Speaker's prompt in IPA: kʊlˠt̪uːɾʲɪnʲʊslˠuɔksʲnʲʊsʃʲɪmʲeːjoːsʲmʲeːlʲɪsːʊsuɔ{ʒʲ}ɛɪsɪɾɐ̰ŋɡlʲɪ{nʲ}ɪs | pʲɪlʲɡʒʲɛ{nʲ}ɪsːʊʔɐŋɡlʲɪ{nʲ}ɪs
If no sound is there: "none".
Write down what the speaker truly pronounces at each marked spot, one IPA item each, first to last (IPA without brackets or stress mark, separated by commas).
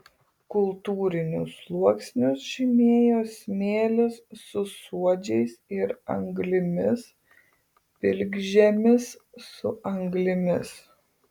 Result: d͡ʒʲ, mʲ, mʲ, mʲ